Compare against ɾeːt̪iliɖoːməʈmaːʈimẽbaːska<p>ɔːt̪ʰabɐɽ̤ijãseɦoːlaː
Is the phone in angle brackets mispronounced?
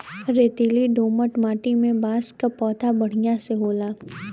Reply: no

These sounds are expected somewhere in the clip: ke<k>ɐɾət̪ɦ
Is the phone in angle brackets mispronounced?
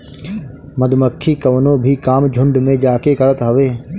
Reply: no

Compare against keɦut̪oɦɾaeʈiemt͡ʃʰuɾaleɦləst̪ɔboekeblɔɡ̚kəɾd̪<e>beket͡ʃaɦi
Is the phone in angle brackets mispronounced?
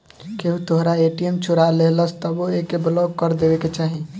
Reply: no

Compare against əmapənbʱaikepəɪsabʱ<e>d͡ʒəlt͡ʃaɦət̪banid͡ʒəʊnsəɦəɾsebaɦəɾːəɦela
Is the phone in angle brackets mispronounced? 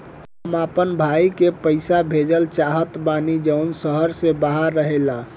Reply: no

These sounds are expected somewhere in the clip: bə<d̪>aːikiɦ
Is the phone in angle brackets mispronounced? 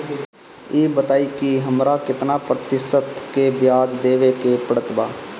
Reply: yes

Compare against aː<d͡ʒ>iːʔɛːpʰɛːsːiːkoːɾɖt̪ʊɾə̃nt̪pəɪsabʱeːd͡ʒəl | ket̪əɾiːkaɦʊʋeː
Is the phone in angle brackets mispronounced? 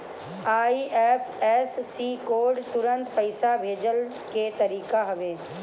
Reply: yes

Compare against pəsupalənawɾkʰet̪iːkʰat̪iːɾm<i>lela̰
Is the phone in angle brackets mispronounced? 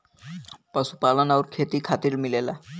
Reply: no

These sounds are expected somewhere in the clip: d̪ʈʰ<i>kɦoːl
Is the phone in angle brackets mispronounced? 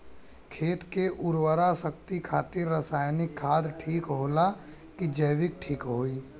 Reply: yes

